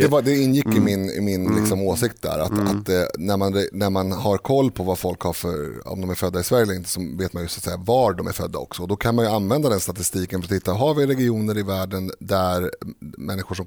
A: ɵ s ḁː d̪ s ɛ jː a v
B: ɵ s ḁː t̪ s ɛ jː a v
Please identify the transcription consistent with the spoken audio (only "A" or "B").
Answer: B